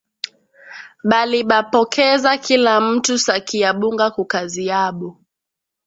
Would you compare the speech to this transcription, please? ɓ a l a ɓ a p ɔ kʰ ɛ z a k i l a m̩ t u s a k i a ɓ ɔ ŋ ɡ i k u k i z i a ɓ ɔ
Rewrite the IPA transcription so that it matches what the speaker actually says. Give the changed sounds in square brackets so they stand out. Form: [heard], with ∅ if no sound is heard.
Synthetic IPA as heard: ɓ a l [i] ɓ a p ɔ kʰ ɛ z a k i l a m̩ t u s a k i a ɓ [u] ŋ ɡ [a] k u k [a] z i a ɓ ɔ